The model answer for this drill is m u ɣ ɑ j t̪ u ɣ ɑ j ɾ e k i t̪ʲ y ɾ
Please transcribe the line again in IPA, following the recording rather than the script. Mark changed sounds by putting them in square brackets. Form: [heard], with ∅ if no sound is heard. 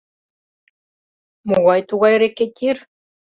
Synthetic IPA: m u ɣ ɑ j t̪ u ɣ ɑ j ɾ e k [e] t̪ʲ [i] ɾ